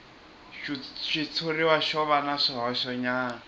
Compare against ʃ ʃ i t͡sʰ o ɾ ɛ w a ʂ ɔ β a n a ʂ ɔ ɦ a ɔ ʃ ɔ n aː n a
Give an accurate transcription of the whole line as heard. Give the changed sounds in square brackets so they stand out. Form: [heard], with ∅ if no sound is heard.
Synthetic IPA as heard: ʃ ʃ i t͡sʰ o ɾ [i] w a [ʃ] ɔ β a n a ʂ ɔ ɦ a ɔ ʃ ɔ [ɲ] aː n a